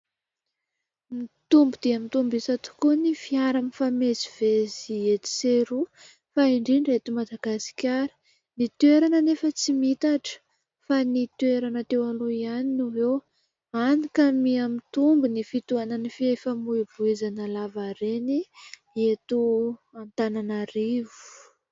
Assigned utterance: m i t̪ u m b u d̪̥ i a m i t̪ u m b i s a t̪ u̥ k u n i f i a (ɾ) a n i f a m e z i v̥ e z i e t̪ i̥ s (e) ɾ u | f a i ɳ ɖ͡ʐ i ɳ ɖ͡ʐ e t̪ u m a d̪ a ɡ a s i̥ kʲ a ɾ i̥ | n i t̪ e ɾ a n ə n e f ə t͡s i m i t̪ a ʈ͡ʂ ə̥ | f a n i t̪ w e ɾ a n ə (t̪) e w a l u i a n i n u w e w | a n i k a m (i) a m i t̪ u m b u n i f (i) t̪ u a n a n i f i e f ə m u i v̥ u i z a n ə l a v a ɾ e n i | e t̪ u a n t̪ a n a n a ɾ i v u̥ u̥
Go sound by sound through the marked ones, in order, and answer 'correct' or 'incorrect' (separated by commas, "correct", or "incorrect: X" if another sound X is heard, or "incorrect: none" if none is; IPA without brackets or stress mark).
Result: correct, correct, correct, correct, correct